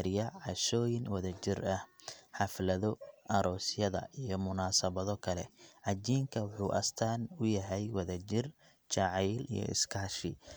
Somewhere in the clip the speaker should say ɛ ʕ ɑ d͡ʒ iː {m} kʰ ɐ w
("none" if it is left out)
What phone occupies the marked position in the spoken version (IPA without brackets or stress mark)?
ŋ